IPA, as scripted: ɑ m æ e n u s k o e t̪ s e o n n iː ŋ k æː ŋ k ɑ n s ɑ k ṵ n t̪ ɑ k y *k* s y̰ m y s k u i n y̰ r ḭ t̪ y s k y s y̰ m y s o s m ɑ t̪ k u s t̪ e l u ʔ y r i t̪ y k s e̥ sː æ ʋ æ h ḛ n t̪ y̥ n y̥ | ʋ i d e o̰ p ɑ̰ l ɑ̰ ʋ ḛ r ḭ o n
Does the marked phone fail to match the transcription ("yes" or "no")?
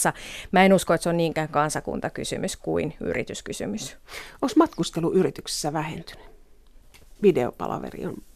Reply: yes